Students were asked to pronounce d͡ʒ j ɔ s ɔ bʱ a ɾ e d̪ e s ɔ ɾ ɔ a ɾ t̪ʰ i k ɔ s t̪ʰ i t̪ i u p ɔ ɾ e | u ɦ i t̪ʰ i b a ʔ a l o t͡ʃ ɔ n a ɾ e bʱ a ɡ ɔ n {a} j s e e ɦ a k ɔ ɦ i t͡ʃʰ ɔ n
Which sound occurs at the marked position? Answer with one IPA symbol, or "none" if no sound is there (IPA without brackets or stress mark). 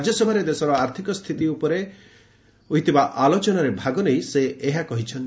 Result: e